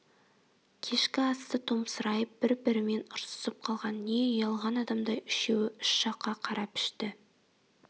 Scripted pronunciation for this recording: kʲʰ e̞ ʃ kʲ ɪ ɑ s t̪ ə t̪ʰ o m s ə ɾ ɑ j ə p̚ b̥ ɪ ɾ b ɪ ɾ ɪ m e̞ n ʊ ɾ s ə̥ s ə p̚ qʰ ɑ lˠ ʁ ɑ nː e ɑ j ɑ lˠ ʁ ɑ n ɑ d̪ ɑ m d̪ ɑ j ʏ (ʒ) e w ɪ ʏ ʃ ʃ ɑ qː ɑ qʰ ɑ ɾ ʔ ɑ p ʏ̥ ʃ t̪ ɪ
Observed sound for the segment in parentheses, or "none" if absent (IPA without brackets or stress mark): ʃ